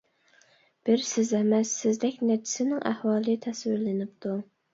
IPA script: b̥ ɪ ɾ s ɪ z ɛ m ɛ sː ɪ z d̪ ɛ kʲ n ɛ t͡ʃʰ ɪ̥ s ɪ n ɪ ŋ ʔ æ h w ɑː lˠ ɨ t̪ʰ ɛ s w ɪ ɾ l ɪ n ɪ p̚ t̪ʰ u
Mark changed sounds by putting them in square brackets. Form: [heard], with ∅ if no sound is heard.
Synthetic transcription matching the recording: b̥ ɪ ɾ s ɪ z ɛ m ɛ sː ɪ z d̪ ɛ kʲ n ɛ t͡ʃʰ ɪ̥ s ɪ n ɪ ŋ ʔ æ h w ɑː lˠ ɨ t̪ʰ ɛ s w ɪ ɾ l ɪ n ɪ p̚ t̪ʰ u